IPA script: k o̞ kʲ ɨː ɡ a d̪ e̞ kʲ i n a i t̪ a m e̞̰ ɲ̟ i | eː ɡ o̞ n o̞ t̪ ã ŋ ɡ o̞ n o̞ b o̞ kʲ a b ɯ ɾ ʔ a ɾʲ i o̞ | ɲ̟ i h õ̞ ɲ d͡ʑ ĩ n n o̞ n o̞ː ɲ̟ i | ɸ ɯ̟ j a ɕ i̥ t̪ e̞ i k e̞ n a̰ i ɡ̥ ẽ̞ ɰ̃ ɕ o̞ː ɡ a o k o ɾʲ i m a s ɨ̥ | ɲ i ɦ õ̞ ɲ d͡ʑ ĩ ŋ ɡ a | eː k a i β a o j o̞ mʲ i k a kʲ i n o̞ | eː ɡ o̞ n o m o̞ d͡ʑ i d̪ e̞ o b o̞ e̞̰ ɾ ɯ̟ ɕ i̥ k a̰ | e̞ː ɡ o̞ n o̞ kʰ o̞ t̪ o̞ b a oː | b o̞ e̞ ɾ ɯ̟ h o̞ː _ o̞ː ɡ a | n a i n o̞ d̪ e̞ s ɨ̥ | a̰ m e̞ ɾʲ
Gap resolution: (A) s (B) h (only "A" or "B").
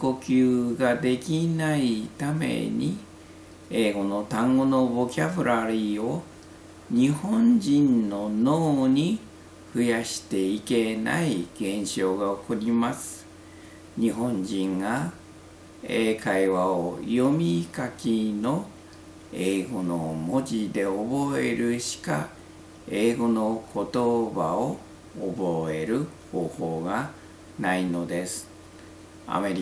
B